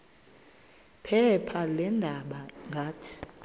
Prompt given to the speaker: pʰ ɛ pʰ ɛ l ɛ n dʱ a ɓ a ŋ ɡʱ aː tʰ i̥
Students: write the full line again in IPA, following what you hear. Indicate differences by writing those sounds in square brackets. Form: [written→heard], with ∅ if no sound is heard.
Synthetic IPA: pʰ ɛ pʰ [ɛ→a] l ɛ n dʱ a ɓ a ŋ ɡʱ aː tʰ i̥